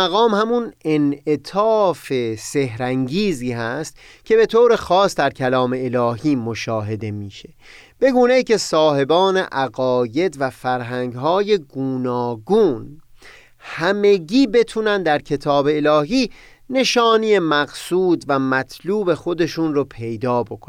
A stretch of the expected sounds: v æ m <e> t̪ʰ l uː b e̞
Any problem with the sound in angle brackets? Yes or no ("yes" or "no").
yes